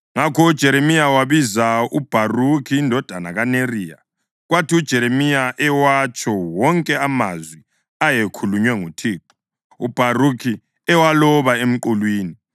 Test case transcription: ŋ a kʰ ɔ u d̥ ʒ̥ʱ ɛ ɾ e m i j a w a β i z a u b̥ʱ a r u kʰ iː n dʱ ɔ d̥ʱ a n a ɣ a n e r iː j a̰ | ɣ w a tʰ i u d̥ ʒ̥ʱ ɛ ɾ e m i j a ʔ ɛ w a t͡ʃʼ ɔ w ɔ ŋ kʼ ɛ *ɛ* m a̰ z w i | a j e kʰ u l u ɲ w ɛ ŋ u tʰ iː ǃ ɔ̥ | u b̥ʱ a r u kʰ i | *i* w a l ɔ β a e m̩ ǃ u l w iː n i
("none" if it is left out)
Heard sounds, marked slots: a, ɛ

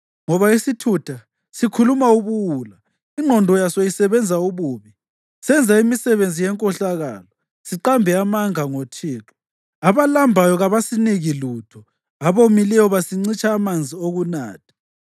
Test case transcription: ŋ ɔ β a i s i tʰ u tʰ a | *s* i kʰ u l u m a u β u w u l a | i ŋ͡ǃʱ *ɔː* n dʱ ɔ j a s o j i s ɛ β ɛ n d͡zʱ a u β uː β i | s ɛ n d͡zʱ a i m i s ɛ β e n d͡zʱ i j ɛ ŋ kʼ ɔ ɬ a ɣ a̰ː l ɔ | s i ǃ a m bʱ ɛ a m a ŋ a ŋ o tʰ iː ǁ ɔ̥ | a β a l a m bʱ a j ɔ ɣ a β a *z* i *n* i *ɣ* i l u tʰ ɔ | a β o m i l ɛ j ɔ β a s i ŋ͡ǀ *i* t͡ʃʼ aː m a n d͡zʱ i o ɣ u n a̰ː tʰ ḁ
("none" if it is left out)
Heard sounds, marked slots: s, ɔ, s, n, ɣ, i

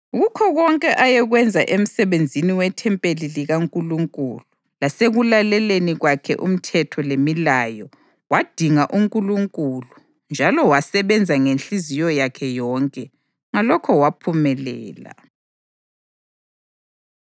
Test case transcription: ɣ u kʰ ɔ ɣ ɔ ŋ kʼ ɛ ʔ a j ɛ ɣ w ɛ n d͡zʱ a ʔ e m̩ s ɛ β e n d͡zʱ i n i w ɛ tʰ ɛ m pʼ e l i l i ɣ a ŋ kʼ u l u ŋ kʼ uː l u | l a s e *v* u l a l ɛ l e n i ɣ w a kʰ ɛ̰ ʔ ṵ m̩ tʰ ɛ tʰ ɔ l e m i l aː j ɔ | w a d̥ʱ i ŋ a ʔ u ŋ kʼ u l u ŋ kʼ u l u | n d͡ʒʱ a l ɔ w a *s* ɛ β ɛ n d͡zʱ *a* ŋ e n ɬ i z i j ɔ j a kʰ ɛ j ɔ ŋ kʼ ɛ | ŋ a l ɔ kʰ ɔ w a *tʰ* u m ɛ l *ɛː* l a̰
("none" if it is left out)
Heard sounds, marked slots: ɣ, s, a, pʰ, ɛː

